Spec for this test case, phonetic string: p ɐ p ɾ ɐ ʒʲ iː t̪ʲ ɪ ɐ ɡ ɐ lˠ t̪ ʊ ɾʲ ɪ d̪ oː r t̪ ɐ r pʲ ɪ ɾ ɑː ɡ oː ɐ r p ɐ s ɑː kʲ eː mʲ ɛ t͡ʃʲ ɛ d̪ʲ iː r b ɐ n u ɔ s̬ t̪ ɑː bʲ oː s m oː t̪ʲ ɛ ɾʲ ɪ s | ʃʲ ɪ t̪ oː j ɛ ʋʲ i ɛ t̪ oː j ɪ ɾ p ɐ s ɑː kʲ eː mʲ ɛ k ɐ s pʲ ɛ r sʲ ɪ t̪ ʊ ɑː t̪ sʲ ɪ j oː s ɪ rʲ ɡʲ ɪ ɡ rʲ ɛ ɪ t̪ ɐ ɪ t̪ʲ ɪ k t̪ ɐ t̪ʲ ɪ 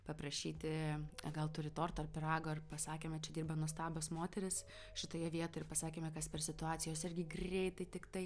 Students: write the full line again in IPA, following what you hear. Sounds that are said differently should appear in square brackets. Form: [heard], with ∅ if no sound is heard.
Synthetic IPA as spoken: p ɐ p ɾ ɐ [ʃʲ] iː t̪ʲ ɪ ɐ ɡ ɐ lˠ t̪ ʊ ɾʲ ɪ [t̪] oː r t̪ ɐ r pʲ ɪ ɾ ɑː ɡ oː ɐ r p ɐ s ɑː kʲ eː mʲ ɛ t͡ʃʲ ɛ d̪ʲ iː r b ɐ n u ɔ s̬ t̪ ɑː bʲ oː s m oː t̪ʲ ɛ ɾʲ ɪ s | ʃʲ ɪ t̪ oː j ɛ ʋʲ i ɛ t̪ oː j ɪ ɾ p ɐ s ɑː kʲ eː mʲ ɛ k ɐ s pʲ ɛ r sʲ ɪ t̪ ʊ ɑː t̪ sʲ ɪ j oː s ɪ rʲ ɡʲ ɪ ɡ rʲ ɛ ɪ t̪ ɐ ɪ t̪ʲ ɪ k t̪ ɐ [∅] ɪ

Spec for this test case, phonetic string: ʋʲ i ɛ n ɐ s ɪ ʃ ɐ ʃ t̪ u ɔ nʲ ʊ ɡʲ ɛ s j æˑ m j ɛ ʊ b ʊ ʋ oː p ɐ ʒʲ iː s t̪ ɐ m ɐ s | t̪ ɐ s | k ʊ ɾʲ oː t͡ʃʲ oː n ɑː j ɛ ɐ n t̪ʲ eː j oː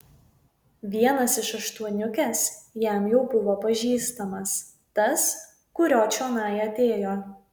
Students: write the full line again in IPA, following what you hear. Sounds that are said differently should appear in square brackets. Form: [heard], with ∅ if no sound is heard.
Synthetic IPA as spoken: ʋʲ i ɛ n ɐ s ɪ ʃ ɐ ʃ t̪ u ɔ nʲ ʊ [kʲ] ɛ s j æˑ m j ɛ ʊ b ʊ ʋ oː p ɐ ʒʲ iː s t̪ ɐ m ɐ s | t̪ ɐ s | k ʊ ɾʲ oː t͡ʃʲ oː n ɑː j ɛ ɐ [∅] t̪ʲ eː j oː

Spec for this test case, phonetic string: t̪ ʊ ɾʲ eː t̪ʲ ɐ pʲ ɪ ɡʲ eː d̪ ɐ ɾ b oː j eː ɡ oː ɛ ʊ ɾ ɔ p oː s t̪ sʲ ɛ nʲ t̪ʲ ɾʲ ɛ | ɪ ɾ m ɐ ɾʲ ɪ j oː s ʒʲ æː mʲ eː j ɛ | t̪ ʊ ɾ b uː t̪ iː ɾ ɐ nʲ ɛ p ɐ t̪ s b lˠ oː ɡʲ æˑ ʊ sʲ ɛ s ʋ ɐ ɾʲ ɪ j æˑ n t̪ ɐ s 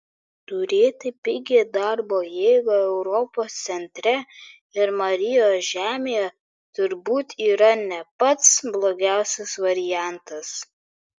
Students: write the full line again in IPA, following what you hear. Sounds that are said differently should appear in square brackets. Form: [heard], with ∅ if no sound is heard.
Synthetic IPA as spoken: t̪ ʊ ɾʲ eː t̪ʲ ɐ pʲ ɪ ɡʲ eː d̪ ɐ ɾ b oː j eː ɡ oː ɛ ʊ ɾ ɔ p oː s t̪ sʲ ɛ nʲ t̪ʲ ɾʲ ɛ | ɪ ɾ m ɐ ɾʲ ɪ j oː s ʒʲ æː mʲ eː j ɛ | t̪ ʊ ɾ b uː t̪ iː ɾ ɐ nʲ ɛ p ɐ t̪ s b lˠ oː ɡʲ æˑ ʊ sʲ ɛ s ʋ ɐ ɾʲ ɪ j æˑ n t̪ ɐ s

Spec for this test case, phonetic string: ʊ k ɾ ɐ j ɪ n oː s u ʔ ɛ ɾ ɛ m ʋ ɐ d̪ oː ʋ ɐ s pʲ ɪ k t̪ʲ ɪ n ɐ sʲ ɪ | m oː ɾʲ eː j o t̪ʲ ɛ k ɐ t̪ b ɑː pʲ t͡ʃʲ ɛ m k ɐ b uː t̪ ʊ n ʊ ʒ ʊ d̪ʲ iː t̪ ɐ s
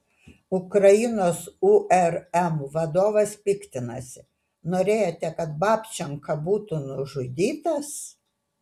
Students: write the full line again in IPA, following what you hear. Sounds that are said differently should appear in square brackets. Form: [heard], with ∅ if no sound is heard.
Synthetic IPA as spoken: ʊ k ɾ ɐ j ɪ n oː s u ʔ ɛ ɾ ɛ m ʋ ɐ d̪ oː ʋ ɐ s pʲ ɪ k t̪ʲ ɪ n ɐ sʲ ɪ | [n] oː ɾʲ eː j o t̪ʲ ɛ k ɐ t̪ b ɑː pʲ t͡ʃʲ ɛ [ŋ] k ɐ b uː t̪ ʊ n ʊ ʒ ʊ d̪ʲ iː t̪ ɐ s

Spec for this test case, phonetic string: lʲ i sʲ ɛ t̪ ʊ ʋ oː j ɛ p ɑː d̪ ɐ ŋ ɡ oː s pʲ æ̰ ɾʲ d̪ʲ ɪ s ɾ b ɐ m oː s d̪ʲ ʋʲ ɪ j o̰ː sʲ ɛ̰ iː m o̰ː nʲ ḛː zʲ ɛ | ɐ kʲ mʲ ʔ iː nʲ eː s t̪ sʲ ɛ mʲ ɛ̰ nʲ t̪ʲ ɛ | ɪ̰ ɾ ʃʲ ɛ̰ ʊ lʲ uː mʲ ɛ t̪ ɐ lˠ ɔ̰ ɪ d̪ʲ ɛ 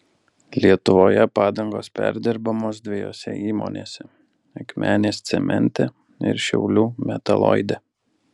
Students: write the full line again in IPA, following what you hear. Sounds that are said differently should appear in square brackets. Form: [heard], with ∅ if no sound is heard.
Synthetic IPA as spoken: lʲ i [∅] ɛ t̪ ʊ ʋ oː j ɛ p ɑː d̪ ɐ ŋ ɡ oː s pʲ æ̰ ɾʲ d̪ʲ ɪ [∅] ɾ b ɐ m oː s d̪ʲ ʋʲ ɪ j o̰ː sʲ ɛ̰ iː m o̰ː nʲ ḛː [sʲ] ɛ | ɐ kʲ mʲ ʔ [æː] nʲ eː s t̪ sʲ ɛ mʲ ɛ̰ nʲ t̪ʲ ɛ | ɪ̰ ɾ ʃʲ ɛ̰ ʊ lʲ uː mʲ ɛ t̪ ɐ lˠ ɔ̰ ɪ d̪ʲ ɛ

